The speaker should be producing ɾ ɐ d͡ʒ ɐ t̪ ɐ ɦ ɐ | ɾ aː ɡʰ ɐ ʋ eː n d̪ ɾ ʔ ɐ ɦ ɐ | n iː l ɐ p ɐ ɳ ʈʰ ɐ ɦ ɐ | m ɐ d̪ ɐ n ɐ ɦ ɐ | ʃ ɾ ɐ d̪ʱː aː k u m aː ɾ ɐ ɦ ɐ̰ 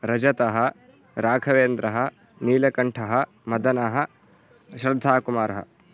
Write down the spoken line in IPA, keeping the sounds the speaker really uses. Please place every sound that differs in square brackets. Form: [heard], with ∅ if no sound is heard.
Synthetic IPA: ɾ ɐ d͡ʒ ɐ t̪ ɐ ɦ ɐ | ɾ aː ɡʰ ɐ ʋ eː n d̪ ɾ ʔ ɐ ɦ ɐ | n iː l ɐ [k] ɐ ɳ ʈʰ ɐ ɦ ɐ | m ɐ d̪ ɐ n ɐ ɦ ɐ | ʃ ɾ ɐ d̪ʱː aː k u m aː ɾ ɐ ɦ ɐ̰

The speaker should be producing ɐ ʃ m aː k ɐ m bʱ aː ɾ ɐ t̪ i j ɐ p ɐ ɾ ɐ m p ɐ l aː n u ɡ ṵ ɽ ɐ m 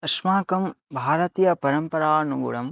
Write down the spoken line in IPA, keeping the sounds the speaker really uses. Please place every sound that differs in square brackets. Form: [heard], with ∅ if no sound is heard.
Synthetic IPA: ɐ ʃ m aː k ɐ m bʱ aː ɾ ɐ t̪ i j ɐ p ɐ ɾ ɐ m p ɐ [ɾ] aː n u ɡ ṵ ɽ ɐ m

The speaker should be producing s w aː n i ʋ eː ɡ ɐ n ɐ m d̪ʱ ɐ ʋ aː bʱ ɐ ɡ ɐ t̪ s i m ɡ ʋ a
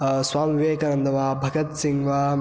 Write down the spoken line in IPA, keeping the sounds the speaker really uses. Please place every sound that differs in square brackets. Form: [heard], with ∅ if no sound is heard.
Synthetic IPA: s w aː [m] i ʋ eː [k] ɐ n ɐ [n] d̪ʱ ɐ ʋ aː bʱ ɐ ɡ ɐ t̪ s i [ŋ] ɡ ʋ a

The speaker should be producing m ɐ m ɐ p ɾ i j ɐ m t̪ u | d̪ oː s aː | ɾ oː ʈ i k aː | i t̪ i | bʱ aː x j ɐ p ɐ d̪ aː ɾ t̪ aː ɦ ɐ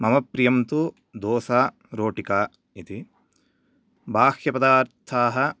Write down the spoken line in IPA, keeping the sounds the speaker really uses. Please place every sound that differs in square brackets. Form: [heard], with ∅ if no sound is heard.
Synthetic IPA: m ɐ m ɐ p ɾ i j ɐ m t̪ u | d̪ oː s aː | ɾ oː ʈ i k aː | i t̪ i | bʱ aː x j ɐ p ɐ d̪ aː ɾ [t̪ʰ] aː ɦ ɐ

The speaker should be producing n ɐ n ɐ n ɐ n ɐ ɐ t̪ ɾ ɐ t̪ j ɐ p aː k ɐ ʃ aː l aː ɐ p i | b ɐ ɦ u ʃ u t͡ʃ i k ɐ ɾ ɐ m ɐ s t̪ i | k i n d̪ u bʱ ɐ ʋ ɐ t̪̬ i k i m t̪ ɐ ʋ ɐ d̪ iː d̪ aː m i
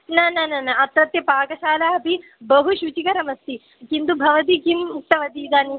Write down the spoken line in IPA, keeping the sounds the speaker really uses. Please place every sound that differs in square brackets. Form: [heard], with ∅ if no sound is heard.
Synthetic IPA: n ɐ n ɐ n ɐ n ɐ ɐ t̪ ɾ ɐ t̪ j ɐ p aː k ɐ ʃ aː l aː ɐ p i | b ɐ ɦ u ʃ u t͡ʃ i k ɐ ɾ ɐ m ɐ s t̪ i | k i n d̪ u bʱ ɐ ʋ ɐ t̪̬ i k i m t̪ ɐ ʋ ɐ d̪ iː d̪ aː [n] i

